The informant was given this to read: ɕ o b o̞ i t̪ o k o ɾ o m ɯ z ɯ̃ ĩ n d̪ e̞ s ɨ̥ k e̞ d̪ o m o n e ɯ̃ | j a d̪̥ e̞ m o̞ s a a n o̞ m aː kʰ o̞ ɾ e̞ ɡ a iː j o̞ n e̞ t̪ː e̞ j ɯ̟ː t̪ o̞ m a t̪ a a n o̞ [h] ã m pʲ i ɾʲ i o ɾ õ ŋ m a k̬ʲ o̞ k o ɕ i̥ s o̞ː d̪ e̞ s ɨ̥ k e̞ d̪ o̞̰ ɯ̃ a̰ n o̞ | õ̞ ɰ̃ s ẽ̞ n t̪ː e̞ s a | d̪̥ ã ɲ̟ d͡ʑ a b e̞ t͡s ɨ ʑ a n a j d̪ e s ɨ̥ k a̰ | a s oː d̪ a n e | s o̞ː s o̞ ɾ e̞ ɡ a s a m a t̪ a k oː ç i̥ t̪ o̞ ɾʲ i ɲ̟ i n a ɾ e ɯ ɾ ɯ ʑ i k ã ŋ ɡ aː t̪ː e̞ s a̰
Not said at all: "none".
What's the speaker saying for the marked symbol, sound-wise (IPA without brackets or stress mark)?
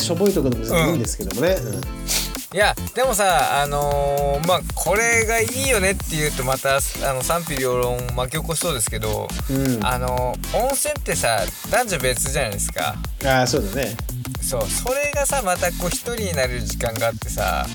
s